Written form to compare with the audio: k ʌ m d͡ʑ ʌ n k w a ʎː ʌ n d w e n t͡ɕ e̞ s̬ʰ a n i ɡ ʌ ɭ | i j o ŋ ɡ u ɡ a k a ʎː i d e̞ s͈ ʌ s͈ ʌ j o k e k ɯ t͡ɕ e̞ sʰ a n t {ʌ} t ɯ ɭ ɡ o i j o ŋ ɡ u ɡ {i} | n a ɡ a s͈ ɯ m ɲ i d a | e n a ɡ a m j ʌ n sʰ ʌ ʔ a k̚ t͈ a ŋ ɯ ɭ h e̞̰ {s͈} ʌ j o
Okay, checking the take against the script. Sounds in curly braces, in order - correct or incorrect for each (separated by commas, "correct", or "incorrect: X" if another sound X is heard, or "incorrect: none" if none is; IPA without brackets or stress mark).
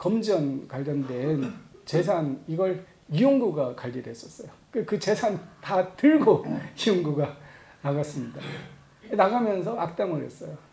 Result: incorrect: a, incorrect: a, correct